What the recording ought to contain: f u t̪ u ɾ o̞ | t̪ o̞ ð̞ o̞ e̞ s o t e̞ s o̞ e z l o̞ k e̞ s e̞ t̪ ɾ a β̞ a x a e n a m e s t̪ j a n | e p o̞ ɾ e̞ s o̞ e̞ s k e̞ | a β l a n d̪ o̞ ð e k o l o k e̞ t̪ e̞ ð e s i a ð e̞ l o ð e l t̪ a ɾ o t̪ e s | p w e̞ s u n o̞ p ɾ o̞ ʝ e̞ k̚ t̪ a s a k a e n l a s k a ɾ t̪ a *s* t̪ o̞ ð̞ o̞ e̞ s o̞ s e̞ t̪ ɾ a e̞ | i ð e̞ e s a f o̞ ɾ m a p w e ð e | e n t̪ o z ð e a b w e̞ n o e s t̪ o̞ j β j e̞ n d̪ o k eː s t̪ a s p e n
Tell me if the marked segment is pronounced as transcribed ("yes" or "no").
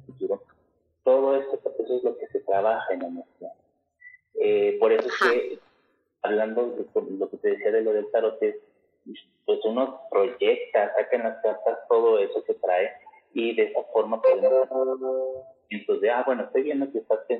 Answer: yes